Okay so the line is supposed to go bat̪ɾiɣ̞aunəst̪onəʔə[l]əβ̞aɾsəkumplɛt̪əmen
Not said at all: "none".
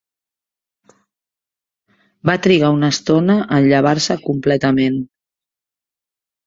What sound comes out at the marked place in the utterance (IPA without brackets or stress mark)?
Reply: ʎ